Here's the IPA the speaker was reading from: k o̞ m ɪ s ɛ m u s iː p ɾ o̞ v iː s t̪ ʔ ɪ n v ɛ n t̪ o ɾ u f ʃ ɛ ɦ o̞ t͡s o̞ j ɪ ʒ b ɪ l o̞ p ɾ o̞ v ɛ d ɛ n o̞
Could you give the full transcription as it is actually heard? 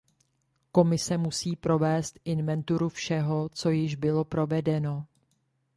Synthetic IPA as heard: k o̞ m ɪ s ɛ m u s iː p ɾ o̞ v ɛː s t̪ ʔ ɪ n v ɛ n t̪ u ɾ u f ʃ ɛ ɦ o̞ t͡s o̞ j ɪ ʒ b ɪ l o̞ p ɾ o̞ v ɛ d ɛ n o̞